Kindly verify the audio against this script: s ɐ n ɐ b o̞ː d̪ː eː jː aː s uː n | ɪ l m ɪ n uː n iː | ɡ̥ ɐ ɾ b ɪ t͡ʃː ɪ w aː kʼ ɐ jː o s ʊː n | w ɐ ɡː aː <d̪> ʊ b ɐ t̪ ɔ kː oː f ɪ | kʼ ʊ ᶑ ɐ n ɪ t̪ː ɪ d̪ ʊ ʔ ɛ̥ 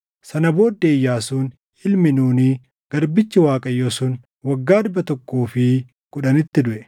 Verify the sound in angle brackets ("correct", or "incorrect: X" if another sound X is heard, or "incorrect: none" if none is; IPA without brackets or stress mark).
correct